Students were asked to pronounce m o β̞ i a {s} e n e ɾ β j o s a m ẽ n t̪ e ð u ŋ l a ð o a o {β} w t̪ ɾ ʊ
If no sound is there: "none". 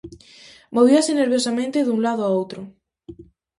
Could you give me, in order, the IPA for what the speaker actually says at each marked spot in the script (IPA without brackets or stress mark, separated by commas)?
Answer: s, none